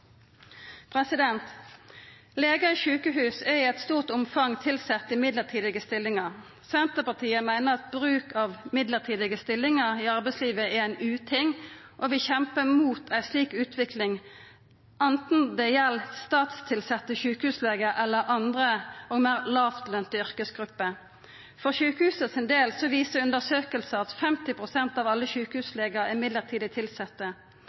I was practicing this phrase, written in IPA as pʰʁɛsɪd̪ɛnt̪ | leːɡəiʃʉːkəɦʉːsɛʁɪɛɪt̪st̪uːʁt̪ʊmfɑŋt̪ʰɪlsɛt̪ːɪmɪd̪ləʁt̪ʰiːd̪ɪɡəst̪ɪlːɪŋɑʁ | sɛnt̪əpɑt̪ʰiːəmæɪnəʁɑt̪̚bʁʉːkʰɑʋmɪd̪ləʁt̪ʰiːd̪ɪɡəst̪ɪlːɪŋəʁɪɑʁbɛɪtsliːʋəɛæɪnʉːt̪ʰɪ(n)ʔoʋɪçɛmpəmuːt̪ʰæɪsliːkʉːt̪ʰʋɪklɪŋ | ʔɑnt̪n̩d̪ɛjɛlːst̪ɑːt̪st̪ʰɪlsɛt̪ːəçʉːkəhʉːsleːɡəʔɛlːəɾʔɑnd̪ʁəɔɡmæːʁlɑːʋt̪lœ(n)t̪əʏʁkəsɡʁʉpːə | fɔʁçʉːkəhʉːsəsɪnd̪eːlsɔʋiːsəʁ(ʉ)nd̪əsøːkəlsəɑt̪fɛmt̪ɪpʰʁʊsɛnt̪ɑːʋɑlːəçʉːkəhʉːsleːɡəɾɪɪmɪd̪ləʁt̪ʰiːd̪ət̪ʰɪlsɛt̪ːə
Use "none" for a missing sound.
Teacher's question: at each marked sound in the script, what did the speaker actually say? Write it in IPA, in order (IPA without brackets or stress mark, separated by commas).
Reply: ŋ, n, ʉ